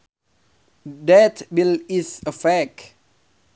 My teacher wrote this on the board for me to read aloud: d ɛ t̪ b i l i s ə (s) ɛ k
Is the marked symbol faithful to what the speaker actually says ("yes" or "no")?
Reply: no